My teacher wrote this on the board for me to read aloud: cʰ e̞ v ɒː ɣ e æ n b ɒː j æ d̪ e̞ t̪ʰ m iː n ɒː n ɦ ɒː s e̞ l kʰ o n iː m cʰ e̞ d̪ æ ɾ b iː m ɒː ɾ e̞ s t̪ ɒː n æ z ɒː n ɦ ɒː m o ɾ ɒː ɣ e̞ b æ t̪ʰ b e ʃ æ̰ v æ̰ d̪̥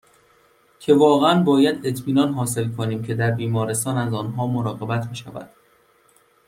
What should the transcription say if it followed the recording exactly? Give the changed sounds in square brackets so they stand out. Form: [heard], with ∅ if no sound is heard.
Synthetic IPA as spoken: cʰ e̞ v ɒː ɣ e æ n b ɒː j æ d̪ e̞ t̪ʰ m iː n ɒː n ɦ ɒː s e̞ l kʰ o n iː m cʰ e̞ d̪ æ ɾ b iː m ɒː ɾ e̞ s t̪ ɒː n æ z ɒː n ɦ ɒː m o ɾ ɒː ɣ e̞ b æ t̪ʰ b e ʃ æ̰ v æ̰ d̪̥